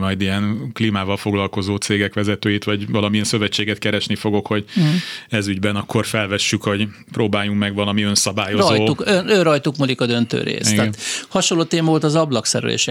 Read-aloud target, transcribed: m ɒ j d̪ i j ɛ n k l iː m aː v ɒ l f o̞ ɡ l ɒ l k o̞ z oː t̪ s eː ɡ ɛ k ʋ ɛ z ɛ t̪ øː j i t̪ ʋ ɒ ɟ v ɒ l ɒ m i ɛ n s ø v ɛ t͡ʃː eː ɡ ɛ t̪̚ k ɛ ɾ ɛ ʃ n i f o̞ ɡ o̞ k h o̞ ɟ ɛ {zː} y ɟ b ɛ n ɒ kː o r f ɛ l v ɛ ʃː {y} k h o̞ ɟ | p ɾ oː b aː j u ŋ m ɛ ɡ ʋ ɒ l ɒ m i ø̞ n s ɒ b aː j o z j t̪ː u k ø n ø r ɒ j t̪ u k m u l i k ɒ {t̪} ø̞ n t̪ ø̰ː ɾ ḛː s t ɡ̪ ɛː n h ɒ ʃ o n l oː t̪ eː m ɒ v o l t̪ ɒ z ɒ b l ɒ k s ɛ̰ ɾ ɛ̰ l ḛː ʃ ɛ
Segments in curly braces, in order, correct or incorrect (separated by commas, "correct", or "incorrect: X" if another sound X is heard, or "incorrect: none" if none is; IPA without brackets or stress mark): incorrect: z, correct, incorrect: d̪